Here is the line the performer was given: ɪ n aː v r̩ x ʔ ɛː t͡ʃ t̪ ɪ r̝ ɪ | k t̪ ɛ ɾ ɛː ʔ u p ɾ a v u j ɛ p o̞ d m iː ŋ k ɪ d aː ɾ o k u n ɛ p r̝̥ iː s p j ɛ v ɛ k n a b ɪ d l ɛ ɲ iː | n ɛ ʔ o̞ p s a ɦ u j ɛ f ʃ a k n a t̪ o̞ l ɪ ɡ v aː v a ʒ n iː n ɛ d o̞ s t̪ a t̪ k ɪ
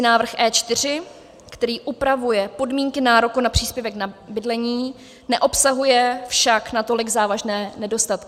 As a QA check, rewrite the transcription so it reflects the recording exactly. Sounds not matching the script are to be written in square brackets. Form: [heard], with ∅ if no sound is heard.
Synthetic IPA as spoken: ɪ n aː v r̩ x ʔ ɛː t͡ʃ t̪ ɪ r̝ ɪ | k t̪ ɛ ɾ [iː] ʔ u p ɾ a v u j ɛ p o̞ d m iː ŋ k ɪ [n] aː ɾ o k u n [a] p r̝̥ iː s p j ɛ v ɛ k n a b ɪ d l ɛ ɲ iː | n ɛ ʔ o̞ p s a ɦ u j ɛ f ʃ a k n a t̪ o̞ l ɪ ɡ [z] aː v a ʒ n [ɛː] n ɛ d o̞ s t̪ a t̪ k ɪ